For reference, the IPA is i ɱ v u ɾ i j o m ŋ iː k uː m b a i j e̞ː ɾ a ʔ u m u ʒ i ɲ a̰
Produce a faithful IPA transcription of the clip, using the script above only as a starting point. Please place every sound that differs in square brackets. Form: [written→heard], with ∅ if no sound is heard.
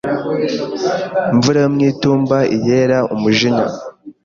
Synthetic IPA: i ɱ v u ɾ [i→a] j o m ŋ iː [k→t] uː m b a i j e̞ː ɾ a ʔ u m u ʒ i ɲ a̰